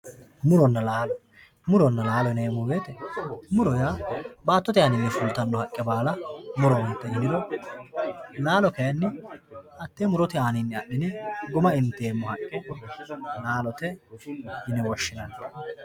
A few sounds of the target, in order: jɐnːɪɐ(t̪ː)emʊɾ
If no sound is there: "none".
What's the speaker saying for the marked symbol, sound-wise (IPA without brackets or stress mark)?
t̪ː